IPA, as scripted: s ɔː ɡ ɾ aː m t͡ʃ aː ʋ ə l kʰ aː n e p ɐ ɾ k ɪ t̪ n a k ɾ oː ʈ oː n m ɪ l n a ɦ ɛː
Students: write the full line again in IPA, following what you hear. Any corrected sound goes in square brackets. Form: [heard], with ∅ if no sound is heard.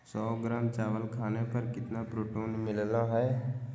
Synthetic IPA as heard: s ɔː ɡ ɾ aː m t͡ʃ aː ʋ ə l kʰ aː n e p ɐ ɾ k ɪ t̪ n a [p] ɾ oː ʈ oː n m ɪ l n a ɦ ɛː